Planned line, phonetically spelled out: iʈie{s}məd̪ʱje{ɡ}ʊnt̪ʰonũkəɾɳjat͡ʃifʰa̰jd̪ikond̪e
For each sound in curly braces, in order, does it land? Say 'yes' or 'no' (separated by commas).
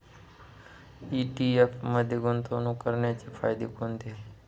no, yes